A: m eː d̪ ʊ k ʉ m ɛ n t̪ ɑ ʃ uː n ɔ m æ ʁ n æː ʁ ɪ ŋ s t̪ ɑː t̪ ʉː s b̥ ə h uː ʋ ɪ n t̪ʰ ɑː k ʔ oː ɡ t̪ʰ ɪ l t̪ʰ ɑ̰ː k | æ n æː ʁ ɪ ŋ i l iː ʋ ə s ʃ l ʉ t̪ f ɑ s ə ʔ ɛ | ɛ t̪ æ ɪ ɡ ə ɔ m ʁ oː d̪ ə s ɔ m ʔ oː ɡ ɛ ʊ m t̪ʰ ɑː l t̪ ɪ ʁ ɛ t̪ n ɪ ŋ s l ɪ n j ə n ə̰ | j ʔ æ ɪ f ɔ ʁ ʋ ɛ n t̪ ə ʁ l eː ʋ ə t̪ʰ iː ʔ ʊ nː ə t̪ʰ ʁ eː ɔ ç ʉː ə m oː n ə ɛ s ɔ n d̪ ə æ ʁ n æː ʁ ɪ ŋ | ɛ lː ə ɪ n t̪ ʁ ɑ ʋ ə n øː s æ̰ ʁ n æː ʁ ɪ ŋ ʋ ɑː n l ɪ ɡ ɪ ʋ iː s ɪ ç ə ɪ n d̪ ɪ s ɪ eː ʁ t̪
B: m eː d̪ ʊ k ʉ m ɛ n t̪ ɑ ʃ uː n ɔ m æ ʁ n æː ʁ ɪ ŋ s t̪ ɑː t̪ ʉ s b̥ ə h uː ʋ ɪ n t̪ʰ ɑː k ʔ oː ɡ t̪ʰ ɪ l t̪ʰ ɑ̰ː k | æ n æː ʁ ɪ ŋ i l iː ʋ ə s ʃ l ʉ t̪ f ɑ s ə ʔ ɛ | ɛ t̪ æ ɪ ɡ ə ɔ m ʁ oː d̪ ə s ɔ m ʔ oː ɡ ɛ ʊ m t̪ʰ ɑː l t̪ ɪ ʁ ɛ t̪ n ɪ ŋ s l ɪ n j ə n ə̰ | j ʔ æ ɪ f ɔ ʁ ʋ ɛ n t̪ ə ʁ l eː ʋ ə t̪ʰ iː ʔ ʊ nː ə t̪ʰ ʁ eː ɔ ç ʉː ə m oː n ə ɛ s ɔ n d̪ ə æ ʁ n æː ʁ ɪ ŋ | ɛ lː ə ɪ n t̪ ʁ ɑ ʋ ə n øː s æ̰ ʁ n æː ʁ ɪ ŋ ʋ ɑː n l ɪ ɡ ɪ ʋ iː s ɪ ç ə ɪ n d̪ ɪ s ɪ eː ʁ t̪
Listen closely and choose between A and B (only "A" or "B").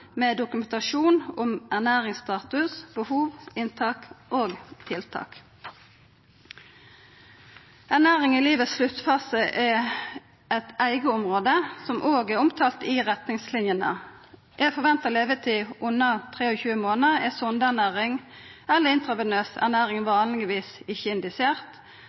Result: B